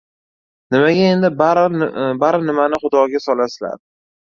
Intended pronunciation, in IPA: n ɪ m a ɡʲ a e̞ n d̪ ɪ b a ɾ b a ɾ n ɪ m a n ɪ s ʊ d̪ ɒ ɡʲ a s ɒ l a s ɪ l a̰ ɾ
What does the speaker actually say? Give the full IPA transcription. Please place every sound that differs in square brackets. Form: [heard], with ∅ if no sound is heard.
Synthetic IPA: n ɪ m a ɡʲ a e̞ n d̪ ɪ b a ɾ b a ɾ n ɪ m a n ɪ [χ] ʊ d̪ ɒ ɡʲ a s ɒ l a s ɪ l a̰ ɾ